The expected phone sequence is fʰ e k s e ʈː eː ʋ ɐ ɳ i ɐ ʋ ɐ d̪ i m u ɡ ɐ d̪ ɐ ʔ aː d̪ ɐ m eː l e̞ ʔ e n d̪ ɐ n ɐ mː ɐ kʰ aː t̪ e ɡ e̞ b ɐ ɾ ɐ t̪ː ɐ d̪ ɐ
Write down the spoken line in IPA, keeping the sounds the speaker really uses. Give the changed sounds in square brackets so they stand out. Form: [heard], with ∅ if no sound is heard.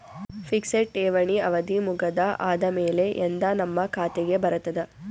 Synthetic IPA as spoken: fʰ [i] k s e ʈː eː ʋ ɐ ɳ i ɐ ʋ ɐ d̪ i m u ɡ ɐ d̪ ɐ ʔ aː d̪ ɐ m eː l e̞ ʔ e n d̪ ɐ n ɐ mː ɐ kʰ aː t̪ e ɡ e̞ b ɐ ɾ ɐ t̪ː ɐ d̪ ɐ